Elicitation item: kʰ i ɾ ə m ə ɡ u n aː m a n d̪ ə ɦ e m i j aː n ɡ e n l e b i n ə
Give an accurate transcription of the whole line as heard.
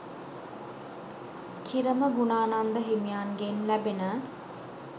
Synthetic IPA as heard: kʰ i ɾ ə m ə ɡ u n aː n a n d̪ ə ɦ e m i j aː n ɡ e n l æ b e n ə